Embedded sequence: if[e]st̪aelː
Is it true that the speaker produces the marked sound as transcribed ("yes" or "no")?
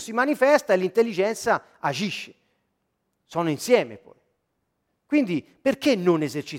no